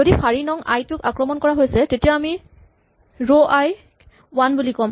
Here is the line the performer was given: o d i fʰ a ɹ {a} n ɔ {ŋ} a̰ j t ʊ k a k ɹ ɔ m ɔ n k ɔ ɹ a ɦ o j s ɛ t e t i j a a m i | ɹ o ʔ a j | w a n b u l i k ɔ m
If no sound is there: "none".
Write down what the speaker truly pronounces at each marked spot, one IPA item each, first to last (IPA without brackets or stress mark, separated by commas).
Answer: i, ŋ